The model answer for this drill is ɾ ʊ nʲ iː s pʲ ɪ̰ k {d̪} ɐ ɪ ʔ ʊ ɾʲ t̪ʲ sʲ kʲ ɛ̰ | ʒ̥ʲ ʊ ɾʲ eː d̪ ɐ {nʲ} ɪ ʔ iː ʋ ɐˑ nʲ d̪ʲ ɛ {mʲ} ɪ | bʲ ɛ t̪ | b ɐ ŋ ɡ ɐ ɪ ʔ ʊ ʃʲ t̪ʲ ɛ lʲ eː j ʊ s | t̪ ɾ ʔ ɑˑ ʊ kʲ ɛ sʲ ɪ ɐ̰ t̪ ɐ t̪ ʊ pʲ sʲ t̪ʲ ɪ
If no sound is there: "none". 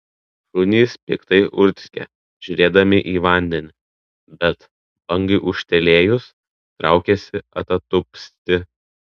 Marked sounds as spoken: t̪, mʲ, nʲ

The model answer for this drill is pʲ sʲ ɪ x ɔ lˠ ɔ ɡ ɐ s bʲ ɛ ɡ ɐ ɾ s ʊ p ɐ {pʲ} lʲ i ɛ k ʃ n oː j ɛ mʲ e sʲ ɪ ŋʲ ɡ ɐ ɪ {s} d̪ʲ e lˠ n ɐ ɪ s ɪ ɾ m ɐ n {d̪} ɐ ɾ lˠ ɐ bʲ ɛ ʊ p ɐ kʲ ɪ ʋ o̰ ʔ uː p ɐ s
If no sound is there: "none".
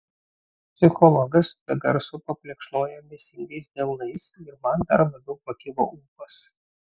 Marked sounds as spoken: pʲ, s, d̪

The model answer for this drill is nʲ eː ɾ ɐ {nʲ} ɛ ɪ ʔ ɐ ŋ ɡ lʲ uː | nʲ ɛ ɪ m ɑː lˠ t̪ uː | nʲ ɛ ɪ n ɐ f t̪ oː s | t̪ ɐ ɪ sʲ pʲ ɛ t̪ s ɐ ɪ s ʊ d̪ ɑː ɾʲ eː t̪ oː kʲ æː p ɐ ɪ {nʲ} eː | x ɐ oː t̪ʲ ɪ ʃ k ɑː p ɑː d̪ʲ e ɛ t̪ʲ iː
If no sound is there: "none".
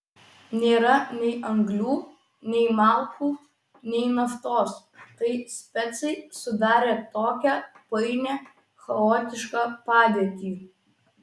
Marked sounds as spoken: nʲ, nʲ

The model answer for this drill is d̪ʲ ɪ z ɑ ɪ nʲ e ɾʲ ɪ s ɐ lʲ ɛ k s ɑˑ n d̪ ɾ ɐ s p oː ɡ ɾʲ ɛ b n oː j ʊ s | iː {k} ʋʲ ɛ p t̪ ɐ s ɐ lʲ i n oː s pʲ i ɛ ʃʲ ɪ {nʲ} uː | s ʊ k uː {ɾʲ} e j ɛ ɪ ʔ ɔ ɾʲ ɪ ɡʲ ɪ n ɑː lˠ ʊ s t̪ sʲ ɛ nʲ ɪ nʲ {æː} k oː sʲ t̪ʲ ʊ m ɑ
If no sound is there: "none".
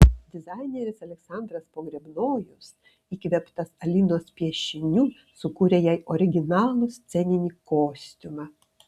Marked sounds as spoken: k, nʲ, ɾʲ, iː

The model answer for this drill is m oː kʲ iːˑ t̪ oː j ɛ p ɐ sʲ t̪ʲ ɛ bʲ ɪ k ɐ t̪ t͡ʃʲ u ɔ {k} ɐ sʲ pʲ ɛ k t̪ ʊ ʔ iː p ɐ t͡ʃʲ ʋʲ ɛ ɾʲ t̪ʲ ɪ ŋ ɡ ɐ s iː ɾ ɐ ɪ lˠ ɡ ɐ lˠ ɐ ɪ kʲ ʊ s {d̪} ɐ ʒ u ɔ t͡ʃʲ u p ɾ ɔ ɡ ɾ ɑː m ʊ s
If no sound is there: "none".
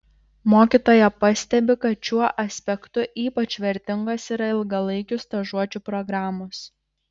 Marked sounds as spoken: ʔ, t̪

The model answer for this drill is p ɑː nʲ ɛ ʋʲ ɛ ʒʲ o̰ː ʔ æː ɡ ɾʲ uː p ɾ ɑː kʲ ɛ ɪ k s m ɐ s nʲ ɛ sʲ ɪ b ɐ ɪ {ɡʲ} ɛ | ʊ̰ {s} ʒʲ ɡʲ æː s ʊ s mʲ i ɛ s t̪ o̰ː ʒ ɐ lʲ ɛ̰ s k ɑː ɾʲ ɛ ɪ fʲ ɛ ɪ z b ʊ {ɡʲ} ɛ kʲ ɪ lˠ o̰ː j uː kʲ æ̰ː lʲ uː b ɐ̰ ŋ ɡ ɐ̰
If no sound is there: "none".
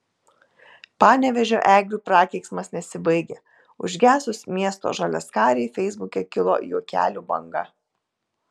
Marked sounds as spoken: ɡʲ, none, kʲ

